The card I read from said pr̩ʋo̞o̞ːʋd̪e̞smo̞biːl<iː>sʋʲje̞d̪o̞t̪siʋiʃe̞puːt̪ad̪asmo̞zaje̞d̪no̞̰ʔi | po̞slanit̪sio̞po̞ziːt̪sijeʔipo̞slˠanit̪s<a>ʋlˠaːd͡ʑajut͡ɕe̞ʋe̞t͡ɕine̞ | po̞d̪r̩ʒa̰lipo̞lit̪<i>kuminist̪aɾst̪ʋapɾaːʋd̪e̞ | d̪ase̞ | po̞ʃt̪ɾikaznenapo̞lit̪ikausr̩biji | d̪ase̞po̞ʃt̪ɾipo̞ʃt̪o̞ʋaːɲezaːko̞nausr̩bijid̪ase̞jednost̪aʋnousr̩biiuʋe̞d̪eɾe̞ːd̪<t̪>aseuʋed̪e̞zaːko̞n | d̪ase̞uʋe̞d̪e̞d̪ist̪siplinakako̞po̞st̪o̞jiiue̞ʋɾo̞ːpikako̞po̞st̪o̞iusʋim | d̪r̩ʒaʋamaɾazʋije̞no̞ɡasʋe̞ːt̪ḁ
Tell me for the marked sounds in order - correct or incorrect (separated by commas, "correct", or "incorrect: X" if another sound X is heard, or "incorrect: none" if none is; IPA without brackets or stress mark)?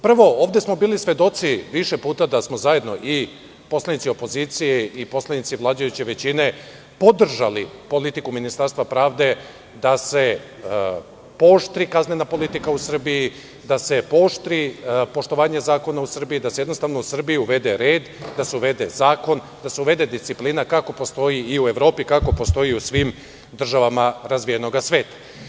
incorrect: i, incorrect: i, correct, incorrect: d̪